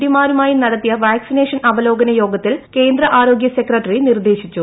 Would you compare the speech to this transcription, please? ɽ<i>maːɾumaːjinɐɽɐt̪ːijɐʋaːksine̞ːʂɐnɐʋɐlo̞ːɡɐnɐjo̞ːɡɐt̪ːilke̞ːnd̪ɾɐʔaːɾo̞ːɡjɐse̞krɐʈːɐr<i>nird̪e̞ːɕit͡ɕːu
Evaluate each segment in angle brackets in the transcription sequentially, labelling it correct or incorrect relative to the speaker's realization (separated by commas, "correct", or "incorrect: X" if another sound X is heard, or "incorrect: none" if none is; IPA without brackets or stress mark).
correct, correct